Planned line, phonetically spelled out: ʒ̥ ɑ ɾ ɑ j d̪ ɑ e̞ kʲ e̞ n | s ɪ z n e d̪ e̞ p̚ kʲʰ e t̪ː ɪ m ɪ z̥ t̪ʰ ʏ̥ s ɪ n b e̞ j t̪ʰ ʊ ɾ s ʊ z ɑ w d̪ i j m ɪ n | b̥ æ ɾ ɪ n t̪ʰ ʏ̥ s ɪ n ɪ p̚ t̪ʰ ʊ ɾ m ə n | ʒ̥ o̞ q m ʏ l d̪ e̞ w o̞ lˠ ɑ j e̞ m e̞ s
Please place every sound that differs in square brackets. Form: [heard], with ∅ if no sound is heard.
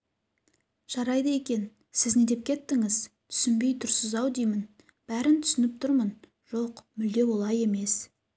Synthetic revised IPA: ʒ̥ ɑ ɾ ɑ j d̪ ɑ e̞ kʲ e̞ n | s ɪ z n e d̪ e̞ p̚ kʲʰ e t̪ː ɪ [ŋ] ɪ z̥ t̪ʰ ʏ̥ s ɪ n b e̞ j t̪ʰ ʊ ɾ s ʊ z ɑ w d̪ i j m ɪ n | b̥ æ ɾ ɪ n t̪ʰ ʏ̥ s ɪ n ɪ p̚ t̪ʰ ʊ ɾ m ə n | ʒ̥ o̞ q m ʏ l d̪ e̞ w o̞ lˠ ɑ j e̞ m e̞ s